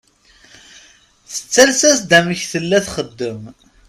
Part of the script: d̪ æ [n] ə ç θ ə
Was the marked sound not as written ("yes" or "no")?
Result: yes